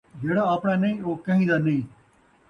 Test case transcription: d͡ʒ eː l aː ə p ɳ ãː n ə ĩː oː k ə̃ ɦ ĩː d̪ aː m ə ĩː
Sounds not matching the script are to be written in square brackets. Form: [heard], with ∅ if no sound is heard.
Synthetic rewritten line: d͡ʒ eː [ɽ] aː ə p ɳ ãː n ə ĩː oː k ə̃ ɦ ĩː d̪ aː [n] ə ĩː

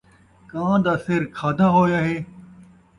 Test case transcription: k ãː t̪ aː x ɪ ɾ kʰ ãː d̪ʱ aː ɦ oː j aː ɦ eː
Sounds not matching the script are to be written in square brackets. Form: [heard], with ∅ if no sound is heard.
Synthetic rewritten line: k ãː [d̪] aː [s] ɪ ɾ kʰ [aː] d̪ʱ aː ɦ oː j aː ɦ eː

